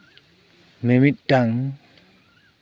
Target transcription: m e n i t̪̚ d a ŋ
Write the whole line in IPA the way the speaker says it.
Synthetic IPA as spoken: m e m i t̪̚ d a ŋ